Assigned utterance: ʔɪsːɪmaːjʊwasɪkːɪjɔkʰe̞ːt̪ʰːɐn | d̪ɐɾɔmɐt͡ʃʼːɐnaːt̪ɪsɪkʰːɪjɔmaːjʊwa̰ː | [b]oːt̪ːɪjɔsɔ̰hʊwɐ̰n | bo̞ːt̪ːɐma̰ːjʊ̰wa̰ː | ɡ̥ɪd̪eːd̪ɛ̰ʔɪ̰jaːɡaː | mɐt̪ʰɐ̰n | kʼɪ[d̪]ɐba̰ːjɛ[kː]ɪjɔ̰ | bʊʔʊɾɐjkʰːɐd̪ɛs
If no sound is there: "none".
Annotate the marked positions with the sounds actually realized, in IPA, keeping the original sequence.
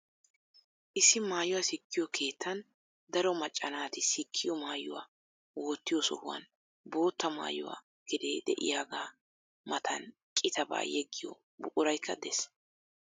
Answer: w, t̪, ɡː

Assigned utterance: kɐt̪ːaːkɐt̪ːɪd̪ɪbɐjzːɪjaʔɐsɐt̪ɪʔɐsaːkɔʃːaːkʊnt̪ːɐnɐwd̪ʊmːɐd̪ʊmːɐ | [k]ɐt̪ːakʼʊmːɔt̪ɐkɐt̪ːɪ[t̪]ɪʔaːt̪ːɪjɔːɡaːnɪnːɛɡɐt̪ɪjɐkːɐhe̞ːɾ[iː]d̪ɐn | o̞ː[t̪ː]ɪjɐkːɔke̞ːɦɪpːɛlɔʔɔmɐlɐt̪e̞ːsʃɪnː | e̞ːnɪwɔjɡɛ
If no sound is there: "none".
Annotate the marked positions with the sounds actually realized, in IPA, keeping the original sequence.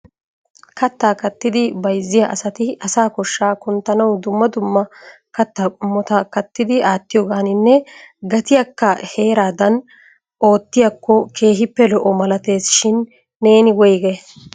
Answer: k, d̪, aː, t̪ː

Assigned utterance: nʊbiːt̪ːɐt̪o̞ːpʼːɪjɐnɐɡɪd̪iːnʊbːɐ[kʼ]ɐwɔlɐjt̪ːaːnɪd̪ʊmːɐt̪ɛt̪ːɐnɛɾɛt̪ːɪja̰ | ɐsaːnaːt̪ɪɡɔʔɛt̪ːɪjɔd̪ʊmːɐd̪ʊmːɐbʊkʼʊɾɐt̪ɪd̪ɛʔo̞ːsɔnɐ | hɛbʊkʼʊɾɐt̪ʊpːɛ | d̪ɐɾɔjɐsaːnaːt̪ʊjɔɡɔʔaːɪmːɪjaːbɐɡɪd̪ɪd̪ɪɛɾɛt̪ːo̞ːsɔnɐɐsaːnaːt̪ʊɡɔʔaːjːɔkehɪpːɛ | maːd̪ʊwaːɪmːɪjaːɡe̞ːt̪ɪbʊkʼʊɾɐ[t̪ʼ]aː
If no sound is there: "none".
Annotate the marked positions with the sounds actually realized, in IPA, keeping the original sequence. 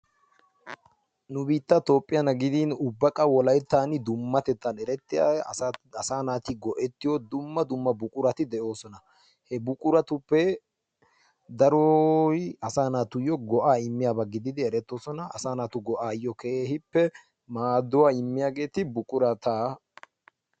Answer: kʼ, t̪

